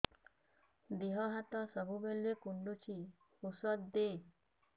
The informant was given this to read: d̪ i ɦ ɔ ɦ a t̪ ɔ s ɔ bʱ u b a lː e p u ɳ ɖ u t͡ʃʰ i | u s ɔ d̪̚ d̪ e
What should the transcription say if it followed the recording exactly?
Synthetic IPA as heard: d̪ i ɦ ɔ ɦ a t̪ ɔ s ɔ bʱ u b e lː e k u ɳ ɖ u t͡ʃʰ i | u s ɔ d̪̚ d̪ e